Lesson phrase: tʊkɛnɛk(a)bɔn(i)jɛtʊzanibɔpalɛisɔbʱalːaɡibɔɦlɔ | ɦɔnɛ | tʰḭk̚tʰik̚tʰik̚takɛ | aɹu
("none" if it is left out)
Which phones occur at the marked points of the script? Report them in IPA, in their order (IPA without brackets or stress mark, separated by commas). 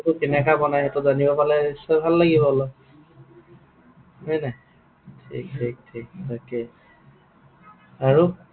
a, a